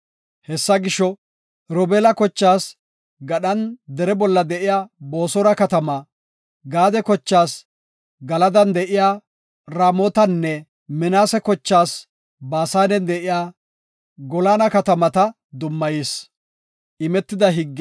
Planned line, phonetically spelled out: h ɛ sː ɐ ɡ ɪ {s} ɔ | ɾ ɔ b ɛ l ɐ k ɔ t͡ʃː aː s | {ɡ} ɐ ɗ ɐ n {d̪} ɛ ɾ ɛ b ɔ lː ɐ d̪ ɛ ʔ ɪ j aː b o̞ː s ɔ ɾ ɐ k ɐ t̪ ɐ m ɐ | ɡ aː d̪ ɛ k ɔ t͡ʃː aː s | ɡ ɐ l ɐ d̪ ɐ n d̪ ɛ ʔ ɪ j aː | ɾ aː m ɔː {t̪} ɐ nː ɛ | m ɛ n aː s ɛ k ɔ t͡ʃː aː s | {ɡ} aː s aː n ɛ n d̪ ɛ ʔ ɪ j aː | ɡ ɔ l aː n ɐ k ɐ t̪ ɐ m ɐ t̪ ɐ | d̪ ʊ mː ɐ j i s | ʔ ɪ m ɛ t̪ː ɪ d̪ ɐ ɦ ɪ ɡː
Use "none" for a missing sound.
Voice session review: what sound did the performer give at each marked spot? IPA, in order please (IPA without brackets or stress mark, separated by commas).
ʃ, ɡ, d̪, t̪, b